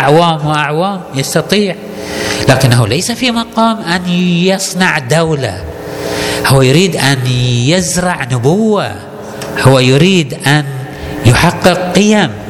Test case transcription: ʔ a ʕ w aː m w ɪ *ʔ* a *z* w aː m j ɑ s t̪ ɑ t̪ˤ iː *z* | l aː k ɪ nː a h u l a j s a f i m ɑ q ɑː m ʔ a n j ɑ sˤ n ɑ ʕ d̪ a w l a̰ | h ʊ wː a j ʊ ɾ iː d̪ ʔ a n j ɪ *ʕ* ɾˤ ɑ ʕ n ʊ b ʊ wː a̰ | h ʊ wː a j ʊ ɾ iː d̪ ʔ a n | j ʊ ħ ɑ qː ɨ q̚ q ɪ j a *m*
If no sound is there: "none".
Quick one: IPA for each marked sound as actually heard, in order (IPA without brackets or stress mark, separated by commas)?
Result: ʔ, ʕ, ʕ, z, m